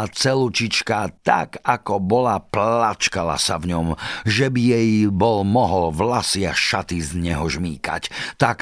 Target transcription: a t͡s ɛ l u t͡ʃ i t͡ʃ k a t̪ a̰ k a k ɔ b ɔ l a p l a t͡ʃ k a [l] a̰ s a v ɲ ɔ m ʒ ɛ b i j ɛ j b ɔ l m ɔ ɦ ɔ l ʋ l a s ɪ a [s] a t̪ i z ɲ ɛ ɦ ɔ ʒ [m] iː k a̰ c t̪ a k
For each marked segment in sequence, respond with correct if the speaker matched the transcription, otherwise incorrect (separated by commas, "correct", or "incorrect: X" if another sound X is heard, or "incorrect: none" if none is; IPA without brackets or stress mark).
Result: correct, incorrect: ʃ, correct